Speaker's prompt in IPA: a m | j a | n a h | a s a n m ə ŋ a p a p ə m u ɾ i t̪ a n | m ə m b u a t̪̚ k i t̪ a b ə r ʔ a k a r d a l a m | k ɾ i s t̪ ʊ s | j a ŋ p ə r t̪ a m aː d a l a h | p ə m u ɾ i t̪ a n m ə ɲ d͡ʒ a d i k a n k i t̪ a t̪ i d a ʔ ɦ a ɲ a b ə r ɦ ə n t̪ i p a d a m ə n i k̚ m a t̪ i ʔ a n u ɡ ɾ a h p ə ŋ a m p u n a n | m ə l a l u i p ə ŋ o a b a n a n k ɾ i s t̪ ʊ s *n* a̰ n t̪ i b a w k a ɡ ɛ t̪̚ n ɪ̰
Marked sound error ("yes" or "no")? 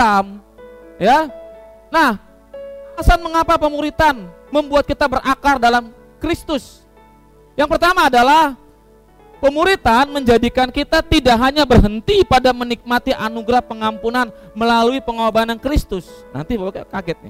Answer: no